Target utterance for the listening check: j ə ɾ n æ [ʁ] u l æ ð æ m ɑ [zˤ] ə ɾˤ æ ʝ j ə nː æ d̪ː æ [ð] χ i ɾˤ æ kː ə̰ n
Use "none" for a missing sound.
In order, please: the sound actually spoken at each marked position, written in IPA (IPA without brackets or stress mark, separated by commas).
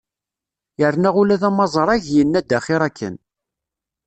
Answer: ʁ, zˤ, none